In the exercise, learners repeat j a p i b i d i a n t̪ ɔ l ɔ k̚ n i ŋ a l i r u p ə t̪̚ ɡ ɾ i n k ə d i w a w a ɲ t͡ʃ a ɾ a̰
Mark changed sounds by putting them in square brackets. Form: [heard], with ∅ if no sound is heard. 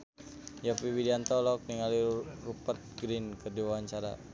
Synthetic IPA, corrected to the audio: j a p i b i d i a n t̪ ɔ l ɔ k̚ n i ŋ a l i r u p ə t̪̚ ɡ ɾ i n k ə d i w a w a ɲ t͡ʃ a ɾ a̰

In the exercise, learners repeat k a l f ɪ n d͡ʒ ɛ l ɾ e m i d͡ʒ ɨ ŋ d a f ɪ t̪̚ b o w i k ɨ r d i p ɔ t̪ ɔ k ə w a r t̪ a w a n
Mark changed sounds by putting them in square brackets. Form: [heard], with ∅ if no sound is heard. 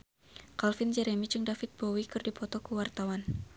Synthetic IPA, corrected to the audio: k a l f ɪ n d͡ʒ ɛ [∅] ɾ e m i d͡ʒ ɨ ŋ d a f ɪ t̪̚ b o w i k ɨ r d i p ɔ t̪ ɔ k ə w a r t̪ a w a n

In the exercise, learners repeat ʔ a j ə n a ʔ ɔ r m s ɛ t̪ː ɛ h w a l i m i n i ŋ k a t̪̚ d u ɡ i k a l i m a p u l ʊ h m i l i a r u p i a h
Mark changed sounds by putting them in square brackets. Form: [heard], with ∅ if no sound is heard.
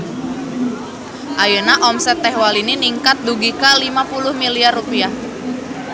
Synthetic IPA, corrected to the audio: ʔ a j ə n a ʔ ɔ [∅] m s ɛ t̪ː ɛ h w a l i [n] i n i ŋ k a t̪̚ d u ɡ i k a l i m a p u l ʊ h m i l i a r u p i a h

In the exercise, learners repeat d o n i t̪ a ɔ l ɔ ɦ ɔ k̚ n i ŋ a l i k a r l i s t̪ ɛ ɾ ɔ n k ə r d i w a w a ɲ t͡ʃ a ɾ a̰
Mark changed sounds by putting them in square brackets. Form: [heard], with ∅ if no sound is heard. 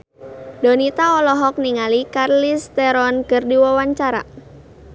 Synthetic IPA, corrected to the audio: d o n i t̪ a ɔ l ɔ ɦ ɔ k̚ n i ŋ a l i k a r l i s t̪ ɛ ɾ ɔ n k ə r d i w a w a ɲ t͡ʃ a ɾ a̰

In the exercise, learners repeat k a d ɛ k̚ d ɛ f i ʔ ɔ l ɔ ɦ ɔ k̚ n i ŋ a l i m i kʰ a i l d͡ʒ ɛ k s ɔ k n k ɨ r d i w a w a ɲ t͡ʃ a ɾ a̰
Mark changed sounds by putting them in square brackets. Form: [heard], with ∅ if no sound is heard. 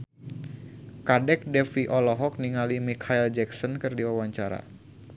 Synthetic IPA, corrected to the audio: k a d ɛ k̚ d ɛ f i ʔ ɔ l ɔ ɦ ɔ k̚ n i ŋ a l i m i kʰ a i l d͡ʒ ɛ k s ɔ [∅] n k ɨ r d i w a w a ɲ t͡ʃ a ɾ a̰

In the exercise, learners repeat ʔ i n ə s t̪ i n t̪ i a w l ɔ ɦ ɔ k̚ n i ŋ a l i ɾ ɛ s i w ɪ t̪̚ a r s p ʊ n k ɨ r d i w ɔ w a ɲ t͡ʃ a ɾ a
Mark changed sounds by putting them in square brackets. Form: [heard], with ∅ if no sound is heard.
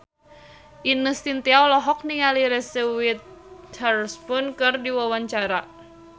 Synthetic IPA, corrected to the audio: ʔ i n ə s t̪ i n t̪ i a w l ɔ ɦ ɔ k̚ n i ŋ a l i ɾ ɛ s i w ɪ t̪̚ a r s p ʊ n k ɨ r d i w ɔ w a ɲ t͡ʃ a ɾ a

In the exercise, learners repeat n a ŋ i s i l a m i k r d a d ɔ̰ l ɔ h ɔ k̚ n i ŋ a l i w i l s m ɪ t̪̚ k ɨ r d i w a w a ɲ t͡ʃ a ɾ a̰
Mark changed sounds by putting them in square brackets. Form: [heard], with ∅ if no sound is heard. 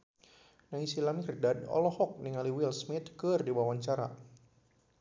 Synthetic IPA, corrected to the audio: n a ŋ i s i l a m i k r d a d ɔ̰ l ɔ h ɔ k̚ n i ŋ a l i w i l s m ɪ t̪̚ k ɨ r d i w a w a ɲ t͡ʃ a ɾ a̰

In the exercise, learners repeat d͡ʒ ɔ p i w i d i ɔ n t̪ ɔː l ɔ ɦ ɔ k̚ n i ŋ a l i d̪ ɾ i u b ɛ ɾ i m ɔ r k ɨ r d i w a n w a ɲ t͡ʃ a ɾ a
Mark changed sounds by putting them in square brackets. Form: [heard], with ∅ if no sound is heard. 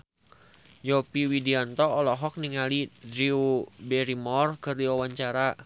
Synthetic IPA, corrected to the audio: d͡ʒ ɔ p i w i d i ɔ n t̪ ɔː l ɔ ɦ ɔ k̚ n i ŋ a l i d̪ ɾ i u b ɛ ɾ i m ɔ r k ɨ r d i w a [∅] w a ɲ t͡ʃ a ɾ a

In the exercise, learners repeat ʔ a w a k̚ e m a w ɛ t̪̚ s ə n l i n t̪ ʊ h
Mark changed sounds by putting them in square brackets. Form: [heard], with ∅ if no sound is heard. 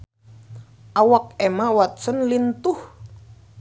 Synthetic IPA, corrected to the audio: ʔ a w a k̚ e m a w [a] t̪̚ s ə n l i n t̪ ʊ h

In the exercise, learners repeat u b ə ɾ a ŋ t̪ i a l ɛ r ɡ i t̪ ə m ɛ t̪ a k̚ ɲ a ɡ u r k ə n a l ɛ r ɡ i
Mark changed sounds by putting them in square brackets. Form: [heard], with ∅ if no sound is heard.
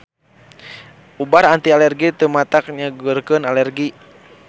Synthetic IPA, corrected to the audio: u b [a] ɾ a [n] t̪ i a l ɛ r ɡ i t̪ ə m [a] t̪ a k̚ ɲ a ɡ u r k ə n a l ɛ r ɡ i

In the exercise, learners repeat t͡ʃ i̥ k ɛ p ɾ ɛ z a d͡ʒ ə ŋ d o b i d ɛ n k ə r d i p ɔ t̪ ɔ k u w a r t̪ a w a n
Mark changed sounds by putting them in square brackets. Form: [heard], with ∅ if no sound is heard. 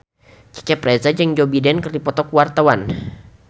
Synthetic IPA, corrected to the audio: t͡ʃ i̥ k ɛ p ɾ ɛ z a d͡ʒ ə ŋ [d͡ʒ] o b i d ɛ n k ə r d i p ɔ t̪ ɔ k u w a r t̪ a w a n

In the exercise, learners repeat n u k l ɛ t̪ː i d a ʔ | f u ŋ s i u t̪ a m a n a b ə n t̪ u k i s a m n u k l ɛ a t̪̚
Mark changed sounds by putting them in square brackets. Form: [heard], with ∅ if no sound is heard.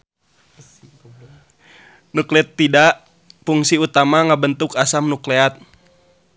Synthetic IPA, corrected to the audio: n u k l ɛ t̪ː i d a ʔ | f u ŋ s i u t̪ a m a [ŋ] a b ə n t̪ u k [a] s a m n u k l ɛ a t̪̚

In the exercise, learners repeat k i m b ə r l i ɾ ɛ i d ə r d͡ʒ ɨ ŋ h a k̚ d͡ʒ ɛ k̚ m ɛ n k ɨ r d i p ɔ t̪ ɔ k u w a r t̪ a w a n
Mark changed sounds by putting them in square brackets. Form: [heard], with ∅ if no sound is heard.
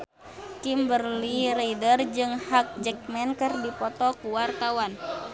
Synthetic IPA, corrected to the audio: k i m b ə r l i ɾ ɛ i d ə r d͡ʒ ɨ ŋ h a k̚ d͡ʒ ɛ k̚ m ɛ n k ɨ r d i p ɔ t̪ ɔ k u w a r t̪ a w a n

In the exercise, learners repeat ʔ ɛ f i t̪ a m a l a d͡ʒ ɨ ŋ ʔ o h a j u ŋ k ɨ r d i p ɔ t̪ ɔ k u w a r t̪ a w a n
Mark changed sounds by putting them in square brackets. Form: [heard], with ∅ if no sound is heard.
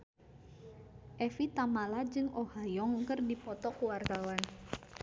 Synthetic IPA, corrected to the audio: ʔ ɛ f i t̪ a m a l a d͡ʒ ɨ ŋ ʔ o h a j [ɔ] ŋ k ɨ r d i p ɔ t̪ ɔ k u w a r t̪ a w a n

